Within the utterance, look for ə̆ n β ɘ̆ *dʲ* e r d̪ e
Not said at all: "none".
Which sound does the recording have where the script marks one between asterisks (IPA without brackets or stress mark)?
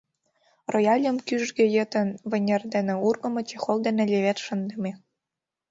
nʲ